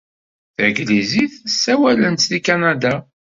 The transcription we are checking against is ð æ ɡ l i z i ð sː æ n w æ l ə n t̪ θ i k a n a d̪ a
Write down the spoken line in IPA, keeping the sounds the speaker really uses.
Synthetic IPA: θ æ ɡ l i z i θ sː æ w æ l ə n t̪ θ i k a n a d̪ a